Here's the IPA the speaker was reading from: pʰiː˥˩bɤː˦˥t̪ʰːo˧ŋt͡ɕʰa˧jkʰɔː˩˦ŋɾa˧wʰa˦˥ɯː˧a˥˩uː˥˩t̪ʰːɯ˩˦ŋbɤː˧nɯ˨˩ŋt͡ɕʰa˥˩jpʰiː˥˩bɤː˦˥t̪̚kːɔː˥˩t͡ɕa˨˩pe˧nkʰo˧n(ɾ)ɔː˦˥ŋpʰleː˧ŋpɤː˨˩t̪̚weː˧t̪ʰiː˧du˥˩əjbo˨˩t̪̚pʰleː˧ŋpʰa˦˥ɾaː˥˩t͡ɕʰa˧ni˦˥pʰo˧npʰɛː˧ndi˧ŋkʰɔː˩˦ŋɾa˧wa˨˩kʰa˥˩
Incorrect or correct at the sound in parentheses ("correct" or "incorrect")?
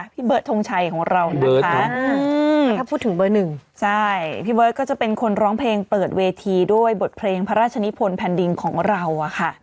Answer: correct